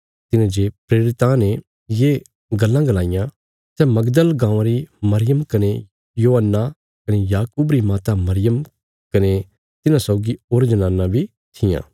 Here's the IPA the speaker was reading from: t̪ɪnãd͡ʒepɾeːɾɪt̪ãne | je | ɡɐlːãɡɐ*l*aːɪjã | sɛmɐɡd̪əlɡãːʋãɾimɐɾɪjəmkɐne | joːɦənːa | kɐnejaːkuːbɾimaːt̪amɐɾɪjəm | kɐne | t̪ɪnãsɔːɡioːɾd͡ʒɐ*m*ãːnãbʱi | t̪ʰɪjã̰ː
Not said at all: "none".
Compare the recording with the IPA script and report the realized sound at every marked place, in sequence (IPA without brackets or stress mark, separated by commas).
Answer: l, n